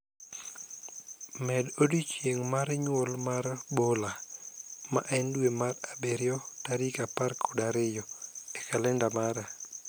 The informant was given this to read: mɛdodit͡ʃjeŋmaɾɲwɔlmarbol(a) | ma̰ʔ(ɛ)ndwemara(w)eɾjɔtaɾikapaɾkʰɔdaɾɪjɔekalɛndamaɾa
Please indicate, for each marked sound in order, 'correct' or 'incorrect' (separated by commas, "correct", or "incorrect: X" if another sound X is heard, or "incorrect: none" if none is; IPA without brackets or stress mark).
correct, correct, incorrect: b